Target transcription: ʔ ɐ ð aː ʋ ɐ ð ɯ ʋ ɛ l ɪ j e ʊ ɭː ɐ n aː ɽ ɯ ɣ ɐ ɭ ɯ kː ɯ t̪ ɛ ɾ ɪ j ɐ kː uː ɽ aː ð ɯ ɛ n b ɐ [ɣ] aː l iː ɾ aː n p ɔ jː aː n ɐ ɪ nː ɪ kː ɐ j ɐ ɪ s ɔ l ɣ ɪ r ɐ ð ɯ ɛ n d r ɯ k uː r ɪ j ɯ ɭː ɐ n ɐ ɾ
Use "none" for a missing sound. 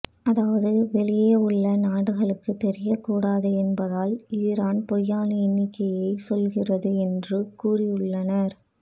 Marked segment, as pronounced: ð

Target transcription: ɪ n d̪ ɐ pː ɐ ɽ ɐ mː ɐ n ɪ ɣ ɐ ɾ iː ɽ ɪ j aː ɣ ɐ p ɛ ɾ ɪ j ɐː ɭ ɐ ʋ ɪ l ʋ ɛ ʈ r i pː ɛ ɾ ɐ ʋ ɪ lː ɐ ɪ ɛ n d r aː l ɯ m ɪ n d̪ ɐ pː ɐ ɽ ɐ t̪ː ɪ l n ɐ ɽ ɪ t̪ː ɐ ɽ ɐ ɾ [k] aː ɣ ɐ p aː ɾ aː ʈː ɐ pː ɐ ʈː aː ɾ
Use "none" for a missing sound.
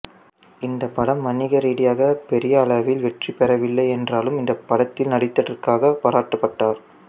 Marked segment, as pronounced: k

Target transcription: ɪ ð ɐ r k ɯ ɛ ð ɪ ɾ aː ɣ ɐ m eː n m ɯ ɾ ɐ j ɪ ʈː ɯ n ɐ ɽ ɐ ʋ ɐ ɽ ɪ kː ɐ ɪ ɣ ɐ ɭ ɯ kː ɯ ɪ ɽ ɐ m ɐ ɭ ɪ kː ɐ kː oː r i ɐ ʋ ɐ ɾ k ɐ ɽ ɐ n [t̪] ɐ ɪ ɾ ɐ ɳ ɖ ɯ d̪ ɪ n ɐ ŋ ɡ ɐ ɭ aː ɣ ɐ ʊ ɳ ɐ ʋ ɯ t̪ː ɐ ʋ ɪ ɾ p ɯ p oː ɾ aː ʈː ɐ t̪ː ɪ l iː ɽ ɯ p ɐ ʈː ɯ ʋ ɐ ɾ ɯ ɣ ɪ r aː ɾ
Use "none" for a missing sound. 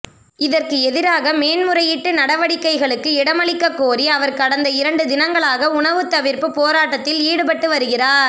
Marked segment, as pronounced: d̪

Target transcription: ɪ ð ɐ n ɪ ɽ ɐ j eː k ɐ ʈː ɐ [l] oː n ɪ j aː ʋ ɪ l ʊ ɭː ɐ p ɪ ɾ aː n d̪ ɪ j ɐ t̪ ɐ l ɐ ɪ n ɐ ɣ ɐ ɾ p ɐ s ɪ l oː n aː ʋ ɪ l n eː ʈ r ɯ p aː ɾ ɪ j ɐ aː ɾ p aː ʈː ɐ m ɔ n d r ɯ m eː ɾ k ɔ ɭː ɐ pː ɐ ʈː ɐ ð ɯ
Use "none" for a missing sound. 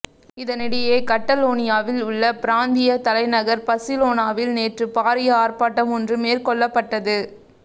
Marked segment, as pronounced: l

